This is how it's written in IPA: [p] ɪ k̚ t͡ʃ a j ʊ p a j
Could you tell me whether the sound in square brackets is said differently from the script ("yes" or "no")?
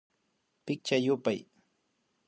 no